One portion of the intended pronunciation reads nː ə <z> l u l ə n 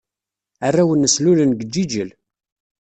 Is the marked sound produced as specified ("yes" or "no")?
no